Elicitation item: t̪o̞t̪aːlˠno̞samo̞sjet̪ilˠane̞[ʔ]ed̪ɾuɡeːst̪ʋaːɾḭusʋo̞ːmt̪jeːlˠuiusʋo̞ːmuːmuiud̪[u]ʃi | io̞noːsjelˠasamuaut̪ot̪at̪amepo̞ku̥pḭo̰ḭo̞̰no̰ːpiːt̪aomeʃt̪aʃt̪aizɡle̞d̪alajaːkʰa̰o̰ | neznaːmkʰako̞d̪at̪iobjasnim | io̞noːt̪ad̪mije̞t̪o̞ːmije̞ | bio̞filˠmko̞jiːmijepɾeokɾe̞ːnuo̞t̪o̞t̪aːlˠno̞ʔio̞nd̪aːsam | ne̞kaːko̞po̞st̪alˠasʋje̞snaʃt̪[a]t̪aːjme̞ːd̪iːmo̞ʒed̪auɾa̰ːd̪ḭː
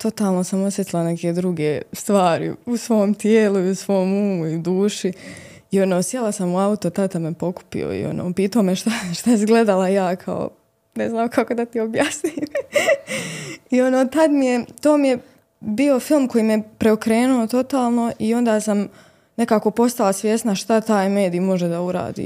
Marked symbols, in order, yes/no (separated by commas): no, no, yes